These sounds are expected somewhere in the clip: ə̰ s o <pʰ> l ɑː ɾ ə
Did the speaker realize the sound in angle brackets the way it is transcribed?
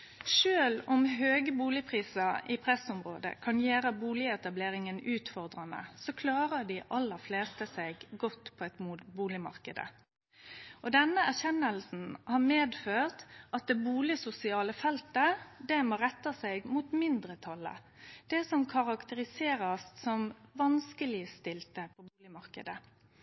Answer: no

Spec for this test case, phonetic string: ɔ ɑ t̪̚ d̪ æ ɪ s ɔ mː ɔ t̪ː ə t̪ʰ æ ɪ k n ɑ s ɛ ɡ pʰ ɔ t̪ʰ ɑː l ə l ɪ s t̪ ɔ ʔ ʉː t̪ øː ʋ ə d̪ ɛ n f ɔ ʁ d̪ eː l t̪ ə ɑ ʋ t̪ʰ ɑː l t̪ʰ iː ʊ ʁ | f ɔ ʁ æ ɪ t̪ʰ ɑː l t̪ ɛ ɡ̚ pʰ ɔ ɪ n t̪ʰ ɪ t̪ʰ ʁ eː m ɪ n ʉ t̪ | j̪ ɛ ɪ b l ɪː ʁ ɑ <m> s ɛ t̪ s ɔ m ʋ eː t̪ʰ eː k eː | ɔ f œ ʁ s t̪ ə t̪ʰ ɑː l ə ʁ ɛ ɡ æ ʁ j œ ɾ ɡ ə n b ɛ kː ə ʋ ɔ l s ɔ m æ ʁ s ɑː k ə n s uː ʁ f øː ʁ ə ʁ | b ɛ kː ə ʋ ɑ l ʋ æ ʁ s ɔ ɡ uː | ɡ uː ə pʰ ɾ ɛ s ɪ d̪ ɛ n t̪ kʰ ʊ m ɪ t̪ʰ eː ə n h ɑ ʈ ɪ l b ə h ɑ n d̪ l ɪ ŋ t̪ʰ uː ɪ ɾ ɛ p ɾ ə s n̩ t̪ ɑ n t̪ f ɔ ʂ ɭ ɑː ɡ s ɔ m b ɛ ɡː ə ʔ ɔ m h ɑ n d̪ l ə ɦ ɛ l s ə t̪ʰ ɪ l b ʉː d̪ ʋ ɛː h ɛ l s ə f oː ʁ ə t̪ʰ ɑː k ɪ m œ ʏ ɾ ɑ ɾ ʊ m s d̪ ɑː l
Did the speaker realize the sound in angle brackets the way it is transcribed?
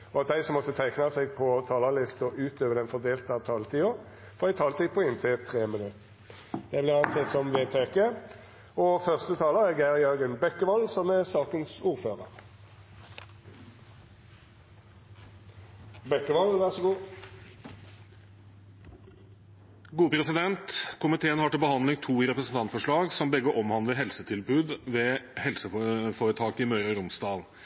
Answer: no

